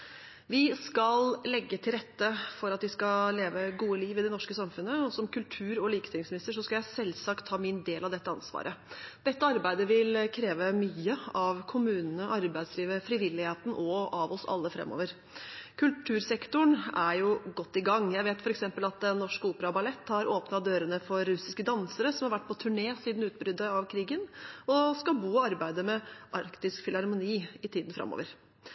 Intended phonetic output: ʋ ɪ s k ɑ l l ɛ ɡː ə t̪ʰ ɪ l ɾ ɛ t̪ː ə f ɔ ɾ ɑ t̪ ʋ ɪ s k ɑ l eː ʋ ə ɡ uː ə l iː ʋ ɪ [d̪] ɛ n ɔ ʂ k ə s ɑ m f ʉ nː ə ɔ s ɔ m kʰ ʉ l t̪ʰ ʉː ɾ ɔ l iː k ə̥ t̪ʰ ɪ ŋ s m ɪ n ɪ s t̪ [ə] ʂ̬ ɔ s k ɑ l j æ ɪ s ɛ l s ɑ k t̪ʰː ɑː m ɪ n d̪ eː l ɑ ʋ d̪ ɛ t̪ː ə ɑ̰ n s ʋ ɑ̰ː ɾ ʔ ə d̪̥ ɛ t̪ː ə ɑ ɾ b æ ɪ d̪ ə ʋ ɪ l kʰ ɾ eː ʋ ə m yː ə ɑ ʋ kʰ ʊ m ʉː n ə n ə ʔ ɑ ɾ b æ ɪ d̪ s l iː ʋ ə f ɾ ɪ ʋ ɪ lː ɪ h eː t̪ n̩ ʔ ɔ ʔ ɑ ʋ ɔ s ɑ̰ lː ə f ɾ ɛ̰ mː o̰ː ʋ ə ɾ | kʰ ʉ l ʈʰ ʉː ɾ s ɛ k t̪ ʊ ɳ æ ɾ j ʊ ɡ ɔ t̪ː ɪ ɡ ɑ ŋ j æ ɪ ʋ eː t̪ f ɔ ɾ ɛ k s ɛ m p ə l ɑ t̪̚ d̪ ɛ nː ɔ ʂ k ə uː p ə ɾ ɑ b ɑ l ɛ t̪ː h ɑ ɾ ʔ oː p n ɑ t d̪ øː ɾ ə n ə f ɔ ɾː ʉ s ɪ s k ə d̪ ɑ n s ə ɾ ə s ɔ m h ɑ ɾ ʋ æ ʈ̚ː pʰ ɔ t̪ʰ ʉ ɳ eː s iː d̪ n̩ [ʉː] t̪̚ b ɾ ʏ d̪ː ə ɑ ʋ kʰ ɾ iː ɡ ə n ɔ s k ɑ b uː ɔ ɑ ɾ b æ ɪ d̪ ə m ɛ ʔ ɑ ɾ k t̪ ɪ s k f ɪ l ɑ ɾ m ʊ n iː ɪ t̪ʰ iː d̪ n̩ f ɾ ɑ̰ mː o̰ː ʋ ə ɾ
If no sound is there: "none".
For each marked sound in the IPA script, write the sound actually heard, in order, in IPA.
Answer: d̪, ə, ʉː

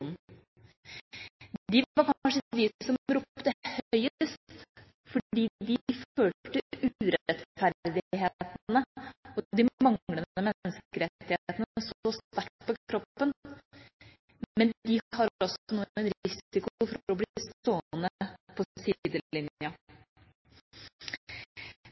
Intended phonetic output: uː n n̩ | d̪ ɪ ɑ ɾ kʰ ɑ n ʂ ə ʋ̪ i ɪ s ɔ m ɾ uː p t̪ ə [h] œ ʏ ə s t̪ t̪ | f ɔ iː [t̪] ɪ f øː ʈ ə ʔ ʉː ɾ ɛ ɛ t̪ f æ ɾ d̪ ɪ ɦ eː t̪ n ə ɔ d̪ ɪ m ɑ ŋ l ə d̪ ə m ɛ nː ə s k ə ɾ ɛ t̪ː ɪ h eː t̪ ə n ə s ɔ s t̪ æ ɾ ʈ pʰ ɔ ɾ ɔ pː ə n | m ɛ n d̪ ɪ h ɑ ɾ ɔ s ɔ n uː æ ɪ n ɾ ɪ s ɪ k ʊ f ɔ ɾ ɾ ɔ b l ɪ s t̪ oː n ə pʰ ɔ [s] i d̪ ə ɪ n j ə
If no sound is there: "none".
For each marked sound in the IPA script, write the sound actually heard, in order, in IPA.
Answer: h, d̪, s

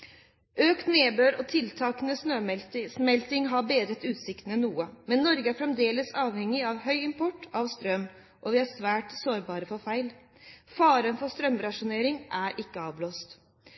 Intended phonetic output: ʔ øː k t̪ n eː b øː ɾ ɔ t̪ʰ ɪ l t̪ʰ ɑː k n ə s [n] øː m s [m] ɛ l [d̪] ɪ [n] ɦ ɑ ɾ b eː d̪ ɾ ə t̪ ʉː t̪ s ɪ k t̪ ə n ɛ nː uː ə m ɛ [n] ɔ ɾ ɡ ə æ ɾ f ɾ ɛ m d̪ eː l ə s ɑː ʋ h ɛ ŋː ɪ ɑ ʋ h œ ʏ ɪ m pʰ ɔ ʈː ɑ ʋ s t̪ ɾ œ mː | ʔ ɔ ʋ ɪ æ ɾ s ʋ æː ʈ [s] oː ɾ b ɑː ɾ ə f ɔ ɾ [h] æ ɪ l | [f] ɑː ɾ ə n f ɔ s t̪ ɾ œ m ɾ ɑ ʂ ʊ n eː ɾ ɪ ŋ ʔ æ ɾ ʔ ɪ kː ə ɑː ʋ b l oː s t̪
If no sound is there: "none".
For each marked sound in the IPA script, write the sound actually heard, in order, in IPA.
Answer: n, m, t̪, ŋ, nː, s, f, f

